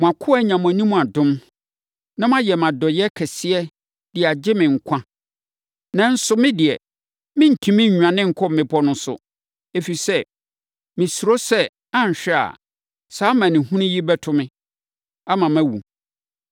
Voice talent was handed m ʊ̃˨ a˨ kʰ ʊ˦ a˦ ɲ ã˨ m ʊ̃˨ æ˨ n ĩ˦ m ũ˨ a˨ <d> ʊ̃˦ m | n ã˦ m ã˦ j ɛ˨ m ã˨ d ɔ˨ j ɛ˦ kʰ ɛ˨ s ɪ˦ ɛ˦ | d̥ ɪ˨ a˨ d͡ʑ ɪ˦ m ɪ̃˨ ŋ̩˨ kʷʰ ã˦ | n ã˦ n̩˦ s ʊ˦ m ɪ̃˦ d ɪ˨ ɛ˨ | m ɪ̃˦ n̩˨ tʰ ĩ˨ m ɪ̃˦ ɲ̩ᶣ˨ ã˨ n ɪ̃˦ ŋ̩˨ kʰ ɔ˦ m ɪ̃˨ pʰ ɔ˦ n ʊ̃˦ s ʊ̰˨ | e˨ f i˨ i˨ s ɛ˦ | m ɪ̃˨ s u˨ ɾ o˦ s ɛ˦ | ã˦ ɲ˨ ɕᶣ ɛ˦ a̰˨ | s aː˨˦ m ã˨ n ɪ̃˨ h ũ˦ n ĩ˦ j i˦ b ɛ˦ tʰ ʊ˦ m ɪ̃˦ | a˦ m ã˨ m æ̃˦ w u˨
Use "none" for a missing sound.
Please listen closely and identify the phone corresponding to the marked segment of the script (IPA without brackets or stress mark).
d